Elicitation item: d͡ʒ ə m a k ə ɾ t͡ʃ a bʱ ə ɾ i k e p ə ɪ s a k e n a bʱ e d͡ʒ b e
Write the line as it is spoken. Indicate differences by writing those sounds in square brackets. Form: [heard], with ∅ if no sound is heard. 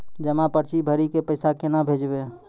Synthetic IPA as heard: d͡ʒ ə m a [p] ə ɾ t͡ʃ [i] bʱ ə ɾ i k e p ə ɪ s a k e n a bʱ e d͡ʒ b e